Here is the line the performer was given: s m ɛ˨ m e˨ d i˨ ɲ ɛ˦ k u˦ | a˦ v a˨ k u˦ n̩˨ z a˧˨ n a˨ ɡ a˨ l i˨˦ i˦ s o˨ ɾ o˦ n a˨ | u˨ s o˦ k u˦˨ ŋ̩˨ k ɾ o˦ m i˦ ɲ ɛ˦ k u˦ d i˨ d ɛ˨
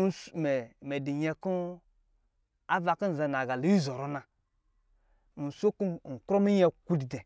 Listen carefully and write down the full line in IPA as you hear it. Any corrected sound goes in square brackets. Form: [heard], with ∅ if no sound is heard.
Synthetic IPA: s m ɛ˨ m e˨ d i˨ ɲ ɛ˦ k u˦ | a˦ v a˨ k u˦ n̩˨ z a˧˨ n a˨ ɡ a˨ l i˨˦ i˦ [z] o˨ ɾ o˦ n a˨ | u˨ s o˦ k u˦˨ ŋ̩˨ k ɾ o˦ m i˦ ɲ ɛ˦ k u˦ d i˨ d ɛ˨

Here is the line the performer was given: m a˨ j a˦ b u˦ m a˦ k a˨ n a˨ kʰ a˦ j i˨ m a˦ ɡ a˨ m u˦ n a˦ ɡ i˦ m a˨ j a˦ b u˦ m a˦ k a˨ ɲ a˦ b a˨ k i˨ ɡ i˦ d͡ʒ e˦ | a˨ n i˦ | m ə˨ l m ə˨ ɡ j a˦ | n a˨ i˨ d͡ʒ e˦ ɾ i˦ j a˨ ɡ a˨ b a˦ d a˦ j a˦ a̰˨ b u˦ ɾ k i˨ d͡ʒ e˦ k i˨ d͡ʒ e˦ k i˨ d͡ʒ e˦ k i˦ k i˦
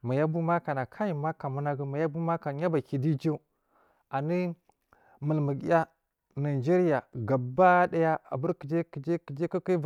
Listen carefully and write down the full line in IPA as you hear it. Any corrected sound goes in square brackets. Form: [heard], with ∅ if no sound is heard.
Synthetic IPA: m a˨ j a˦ b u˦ m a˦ k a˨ n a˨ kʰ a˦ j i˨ m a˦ [k] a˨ m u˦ n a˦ ɡ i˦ m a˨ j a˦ b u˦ m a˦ k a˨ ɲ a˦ b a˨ k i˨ [d] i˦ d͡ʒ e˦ | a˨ n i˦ | m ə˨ l m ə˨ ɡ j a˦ | n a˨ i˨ d͡ʒ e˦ ɾ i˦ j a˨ ɡ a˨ b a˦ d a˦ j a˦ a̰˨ b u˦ ɾ k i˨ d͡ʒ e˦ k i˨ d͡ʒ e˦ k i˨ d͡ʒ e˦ k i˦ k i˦

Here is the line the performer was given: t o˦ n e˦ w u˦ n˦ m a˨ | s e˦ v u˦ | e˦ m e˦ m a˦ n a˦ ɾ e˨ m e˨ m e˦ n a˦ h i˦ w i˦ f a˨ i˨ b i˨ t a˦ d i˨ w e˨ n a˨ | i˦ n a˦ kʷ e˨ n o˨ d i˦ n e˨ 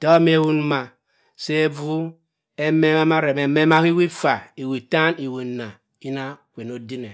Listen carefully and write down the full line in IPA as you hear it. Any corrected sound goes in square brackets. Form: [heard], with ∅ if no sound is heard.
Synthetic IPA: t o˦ [m] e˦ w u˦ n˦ m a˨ | s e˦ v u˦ | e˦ m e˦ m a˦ [m] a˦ ɾ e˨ m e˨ m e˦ [m] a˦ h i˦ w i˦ f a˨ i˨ [w] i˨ t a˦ [n] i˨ w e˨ n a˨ | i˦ n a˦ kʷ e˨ n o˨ d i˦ n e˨

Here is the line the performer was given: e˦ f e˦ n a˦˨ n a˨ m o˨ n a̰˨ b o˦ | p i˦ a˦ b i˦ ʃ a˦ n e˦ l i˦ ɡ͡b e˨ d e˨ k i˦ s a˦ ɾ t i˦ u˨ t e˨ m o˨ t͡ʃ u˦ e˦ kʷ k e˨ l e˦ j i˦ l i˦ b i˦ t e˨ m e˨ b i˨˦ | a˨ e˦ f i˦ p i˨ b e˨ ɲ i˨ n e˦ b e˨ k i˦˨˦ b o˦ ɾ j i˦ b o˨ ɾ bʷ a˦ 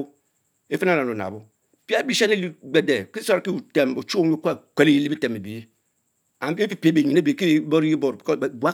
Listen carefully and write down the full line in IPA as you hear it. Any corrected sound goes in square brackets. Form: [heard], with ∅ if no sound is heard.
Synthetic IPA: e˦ f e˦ n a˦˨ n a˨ [n] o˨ n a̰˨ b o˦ | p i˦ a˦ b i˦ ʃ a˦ n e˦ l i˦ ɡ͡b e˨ d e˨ k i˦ s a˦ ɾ [k] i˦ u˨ t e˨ m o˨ t͡ʃ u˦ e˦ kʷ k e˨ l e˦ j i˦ l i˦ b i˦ t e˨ m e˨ b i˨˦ | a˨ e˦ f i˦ p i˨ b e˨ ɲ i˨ n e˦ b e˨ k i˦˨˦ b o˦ ɾ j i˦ b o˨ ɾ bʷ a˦

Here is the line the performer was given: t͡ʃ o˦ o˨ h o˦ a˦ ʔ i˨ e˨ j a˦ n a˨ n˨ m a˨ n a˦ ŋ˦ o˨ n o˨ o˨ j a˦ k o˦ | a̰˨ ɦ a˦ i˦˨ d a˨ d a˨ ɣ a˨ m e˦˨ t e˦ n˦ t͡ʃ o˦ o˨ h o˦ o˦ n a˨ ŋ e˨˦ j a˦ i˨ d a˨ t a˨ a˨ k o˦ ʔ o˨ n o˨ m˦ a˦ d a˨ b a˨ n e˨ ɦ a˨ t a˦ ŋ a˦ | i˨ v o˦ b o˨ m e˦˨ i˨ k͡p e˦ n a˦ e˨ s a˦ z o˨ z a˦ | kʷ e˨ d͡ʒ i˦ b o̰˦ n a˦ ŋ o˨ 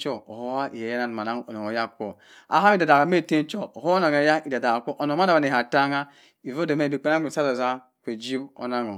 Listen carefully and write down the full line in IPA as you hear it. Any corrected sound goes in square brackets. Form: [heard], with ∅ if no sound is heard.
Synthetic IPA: t͡ʃ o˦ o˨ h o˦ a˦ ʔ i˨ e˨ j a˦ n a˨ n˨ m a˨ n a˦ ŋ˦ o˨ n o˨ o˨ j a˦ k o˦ | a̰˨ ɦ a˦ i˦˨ d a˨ d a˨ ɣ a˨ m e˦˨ t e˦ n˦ t͡ʃ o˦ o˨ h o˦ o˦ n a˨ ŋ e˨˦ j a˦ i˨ d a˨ [d] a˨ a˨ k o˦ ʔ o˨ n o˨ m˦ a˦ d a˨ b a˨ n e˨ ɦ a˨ t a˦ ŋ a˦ | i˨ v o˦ [d] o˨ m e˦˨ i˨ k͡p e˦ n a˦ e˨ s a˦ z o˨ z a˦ | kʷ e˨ d͡ʒ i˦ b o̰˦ n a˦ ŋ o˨

